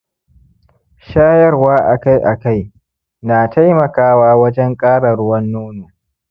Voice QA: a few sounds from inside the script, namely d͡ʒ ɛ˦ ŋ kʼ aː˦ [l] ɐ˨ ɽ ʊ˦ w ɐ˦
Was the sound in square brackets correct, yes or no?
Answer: no